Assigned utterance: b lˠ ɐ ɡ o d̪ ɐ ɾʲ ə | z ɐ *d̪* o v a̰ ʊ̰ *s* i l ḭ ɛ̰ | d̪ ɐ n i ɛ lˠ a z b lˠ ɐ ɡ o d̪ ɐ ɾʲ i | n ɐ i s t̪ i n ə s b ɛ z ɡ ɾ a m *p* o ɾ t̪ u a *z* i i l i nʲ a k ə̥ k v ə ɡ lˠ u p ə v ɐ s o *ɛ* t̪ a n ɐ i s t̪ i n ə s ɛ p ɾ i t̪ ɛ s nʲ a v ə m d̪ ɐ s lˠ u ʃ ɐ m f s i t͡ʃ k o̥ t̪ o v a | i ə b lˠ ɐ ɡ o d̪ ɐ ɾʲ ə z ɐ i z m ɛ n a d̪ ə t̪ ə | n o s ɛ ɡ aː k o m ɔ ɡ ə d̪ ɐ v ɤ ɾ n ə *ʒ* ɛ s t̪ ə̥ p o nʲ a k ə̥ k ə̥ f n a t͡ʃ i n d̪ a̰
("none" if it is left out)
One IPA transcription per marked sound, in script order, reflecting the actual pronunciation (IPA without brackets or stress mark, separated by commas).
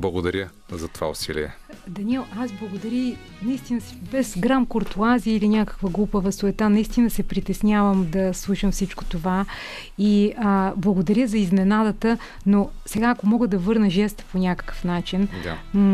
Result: t̪, s, k, z, ɛ, ʒ